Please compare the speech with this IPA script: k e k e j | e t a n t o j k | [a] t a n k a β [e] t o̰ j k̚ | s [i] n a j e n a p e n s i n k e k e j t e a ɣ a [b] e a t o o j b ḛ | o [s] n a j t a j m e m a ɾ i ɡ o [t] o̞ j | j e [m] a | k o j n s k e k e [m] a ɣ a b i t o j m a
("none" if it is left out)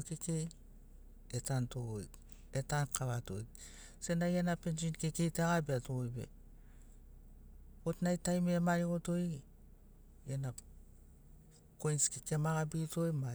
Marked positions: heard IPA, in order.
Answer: e, a, e, b, t, t, n, m

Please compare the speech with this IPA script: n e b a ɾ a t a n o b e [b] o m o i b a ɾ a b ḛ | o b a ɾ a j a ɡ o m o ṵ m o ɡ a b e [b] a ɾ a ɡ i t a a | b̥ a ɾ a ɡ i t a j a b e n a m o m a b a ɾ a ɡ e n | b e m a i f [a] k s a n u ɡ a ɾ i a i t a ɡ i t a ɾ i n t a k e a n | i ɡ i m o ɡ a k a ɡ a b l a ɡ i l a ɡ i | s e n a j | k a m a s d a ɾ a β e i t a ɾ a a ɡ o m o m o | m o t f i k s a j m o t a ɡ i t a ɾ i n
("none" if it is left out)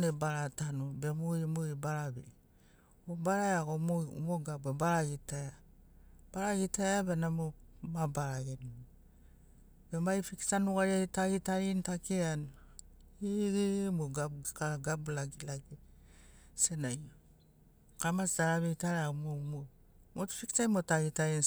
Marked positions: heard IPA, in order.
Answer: m, b, i

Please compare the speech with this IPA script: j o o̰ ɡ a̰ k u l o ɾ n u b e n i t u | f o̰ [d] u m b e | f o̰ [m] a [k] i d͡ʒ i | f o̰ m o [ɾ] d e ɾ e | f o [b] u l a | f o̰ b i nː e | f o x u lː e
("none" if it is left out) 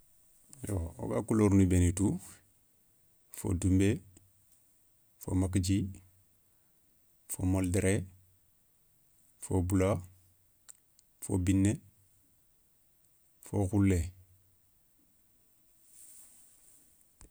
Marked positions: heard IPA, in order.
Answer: d, m, k, l, b

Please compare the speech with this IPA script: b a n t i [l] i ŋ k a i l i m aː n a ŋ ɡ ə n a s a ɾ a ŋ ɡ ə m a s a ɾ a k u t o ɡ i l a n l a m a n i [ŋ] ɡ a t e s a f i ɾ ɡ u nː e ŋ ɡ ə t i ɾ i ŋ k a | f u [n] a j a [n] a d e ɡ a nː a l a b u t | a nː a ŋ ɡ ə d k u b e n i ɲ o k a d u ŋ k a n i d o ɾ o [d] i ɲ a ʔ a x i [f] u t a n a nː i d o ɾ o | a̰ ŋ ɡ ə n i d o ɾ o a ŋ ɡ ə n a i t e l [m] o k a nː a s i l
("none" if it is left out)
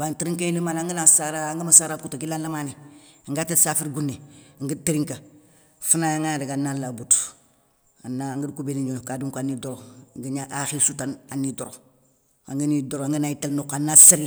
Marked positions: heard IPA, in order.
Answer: ɾ, ŋ, n, ŋ, ɡ, s, n

